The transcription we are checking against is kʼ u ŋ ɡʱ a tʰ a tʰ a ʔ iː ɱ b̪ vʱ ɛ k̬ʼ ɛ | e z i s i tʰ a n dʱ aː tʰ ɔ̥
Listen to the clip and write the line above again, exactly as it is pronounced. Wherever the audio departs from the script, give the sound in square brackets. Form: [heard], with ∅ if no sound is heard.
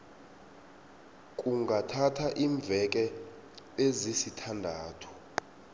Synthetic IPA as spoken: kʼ u ŋ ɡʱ a tʰ a tʰ a ʔ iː ɱ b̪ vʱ ɛ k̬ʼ ɛ | e z i s i tʰ a n dʱ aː tʰ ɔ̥